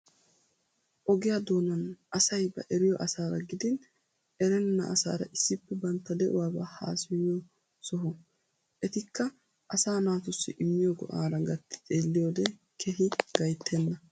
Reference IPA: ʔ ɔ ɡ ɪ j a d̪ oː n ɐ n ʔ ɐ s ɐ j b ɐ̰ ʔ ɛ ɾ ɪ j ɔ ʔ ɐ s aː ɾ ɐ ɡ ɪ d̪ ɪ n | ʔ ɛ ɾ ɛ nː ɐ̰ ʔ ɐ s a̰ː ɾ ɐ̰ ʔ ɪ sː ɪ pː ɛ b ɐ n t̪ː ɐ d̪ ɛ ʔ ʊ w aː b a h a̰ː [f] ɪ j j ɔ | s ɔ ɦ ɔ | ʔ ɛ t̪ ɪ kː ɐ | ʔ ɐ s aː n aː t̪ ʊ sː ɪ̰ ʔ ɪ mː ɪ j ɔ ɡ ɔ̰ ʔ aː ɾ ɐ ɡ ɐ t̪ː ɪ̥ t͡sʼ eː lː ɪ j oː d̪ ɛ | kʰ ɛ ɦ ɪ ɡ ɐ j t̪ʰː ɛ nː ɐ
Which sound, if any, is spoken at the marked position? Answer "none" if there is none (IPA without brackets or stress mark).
s